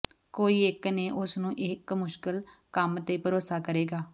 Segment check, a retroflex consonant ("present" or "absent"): absent